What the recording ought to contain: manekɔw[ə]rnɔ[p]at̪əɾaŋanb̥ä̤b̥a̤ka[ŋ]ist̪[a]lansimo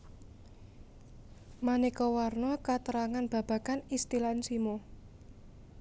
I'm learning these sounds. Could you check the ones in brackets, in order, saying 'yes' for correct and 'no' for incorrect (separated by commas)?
no, no, no, no